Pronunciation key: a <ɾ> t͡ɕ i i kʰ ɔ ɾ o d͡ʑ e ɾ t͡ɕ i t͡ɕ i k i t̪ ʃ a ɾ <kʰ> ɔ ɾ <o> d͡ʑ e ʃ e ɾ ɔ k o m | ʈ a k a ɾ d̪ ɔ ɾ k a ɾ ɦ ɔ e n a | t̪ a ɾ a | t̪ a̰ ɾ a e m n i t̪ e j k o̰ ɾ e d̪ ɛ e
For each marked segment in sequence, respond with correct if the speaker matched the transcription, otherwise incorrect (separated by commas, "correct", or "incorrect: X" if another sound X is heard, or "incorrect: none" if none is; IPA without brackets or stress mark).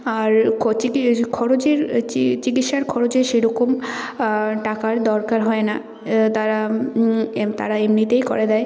correct, correct, correct